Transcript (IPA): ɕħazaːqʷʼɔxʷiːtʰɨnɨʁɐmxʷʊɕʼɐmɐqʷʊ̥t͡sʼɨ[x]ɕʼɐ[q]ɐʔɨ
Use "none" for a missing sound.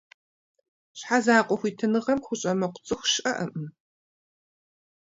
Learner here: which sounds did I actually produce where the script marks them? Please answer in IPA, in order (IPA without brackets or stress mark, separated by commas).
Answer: x, ʔ